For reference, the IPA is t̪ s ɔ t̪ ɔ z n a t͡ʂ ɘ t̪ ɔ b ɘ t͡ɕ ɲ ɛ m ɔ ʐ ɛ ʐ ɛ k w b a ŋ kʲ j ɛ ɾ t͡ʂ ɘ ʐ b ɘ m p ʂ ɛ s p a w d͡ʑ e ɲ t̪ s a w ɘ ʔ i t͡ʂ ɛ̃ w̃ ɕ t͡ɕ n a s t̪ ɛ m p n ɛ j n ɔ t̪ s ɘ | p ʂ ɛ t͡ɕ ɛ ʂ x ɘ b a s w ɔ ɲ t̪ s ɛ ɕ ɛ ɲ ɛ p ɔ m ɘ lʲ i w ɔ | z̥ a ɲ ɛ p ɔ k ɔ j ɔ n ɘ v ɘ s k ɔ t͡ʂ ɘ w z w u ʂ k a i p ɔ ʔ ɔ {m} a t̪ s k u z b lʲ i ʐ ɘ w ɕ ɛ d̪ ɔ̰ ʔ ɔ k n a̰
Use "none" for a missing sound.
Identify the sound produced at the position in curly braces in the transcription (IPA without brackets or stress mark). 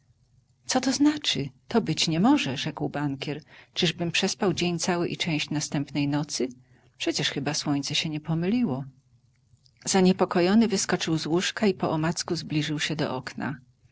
m